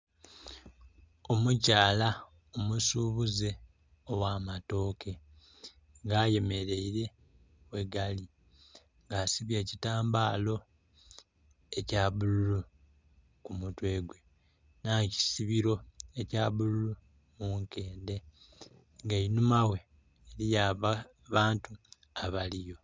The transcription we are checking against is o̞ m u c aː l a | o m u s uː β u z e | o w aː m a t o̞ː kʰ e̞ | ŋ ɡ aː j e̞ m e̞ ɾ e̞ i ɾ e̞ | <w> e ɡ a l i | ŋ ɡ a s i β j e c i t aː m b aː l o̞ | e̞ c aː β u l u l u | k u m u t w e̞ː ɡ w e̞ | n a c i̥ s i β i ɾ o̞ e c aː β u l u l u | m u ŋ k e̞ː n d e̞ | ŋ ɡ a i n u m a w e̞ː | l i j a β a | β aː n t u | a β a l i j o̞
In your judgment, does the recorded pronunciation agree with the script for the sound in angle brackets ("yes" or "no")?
yes